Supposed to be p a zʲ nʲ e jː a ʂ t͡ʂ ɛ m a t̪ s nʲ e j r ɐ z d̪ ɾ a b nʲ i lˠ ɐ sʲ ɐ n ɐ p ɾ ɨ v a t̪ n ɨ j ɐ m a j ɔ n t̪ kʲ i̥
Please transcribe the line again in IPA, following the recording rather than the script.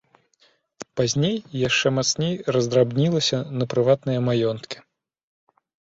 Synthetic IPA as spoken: p a zʲ nʲ e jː a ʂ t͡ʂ ɛ m a t̪ s nʲ e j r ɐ z d̪ ɾ a b nʲ i lˠ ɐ sʲ ɐ n ɐ p ɾ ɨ v a t̪ n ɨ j ɐ m a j ɔ n t̪ kʲ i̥